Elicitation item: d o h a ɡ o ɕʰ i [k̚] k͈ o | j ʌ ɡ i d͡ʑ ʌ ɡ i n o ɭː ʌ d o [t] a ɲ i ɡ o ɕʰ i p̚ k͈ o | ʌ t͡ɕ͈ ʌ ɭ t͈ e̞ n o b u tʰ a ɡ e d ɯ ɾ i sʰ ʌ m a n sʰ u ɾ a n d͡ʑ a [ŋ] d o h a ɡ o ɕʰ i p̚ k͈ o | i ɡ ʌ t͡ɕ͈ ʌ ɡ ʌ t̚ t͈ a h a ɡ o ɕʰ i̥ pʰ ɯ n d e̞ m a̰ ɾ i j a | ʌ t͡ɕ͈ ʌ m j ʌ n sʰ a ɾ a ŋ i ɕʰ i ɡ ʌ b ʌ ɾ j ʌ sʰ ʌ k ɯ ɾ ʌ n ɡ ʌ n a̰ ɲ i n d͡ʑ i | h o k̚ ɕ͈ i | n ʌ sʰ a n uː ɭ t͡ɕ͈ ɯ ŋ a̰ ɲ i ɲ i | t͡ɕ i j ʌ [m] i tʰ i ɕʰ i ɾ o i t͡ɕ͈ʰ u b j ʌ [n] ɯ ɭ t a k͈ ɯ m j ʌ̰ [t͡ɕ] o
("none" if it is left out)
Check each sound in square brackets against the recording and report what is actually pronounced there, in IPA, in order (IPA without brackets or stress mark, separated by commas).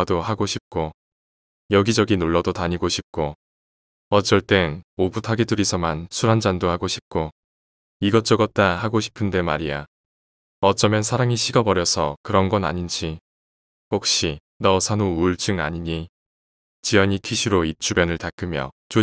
p̚, t, n, ɲ, n, t͡ɕ